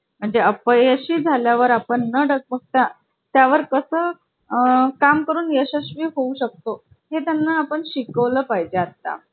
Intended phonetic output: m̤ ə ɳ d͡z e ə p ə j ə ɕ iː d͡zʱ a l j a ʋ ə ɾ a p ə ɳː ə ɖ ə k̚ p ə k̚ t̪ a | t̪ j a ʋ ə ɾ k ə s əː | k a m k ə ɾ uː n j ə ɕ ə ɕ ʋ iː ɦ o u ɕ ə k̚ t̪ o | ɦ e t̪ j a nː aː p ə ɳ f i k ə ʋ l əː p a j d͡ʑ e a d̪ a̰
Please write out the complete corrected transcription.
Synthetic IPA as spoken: m̤ ə ɳ d͡z e ə p ə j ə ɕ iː d͡zʱ a l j a ʋ ə ɾ a p ə ɳː ə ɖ ə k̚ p ə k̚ t̪ a | t̪ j a ʋ ə ɾ k ə s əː | k a m k ə ɾ uː n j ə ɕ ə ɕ ʋ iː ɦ o u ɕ ə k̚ t̪ o | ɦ e t̪ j a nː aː p ə ɳ ɕ i k ə ʋ l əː p a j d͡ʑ e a t̪ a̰